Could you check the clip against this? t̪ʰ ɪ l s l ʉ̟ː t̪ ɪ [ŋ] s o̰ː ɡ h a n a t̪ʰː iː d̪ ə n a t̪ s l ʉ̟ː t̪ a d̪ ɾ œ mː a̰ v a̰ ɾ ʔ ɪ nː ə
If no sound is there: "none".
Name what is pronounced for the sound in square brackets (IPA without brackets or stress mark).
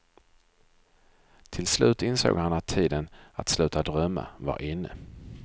n